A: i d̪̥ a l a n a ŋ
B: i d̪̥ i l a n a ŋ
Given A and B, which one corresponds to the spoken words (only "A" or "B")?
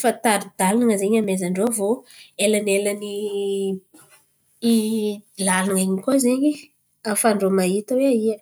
A